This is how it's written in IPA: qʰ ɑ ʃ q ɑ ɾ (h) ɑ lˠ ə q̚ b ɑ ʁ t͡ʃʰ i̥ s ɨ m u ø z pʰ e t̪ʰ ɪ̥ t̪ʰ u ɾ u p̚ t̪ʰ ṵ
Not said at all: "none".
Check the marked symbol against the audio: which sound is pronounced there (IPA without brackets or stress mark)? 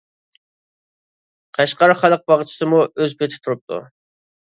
χ